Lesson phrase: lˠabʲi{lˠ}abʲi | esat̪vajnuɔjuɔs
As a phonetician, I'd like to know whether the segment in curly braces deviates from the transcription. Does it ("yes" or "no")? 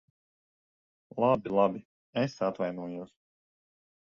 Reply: no